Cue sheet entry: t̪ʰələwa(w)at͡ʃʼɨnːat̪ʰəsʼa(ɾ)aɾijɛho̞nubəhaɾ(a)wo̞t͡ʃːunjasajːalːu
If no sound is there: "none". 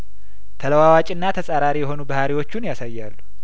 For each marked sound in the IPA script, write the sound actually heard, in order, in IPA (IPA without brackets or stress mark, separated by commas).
w, ɾ, i